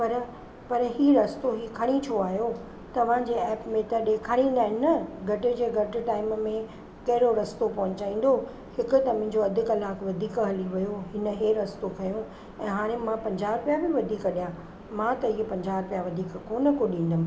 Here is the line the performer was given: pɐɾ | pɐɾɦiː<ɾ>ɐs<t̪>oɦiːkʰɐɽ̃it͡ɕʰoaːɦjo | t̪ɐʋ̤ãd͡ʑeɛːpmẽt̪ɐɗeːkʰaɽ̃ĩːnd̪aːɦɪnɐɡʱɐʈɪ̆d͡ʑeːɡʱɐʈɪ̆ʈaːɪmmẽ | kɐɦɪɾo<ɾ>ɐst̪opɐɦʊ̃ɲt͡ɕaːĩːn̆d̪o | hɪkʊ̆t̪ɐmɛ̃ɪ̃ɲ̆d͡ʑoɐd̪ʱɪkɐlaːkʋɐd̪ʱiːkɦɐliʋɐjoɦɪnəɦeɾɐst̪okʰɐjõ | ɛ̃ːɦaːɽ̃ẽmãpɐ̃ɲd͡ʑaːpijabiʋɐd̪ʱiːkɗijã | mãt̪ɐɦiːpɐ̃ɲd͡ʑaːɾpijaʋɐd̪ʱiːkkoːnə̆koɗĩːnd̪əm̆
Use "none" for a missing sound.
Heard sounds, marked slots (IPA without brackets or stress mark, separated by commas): ɾ, t̪, ɾ